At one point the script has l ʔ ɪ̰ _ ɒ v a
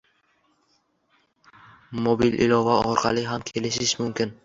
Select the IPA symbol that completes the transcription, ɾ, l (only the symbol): l